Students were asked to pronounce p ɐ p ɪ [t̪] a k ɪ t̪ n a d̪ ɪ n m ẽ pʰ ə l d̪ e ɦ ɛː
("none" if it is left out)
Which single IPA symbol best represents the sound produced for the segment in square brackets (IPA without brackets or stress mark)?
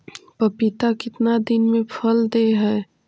t̪